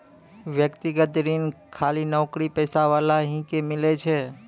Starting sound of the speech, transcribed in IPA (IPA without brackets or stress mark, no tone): ʋ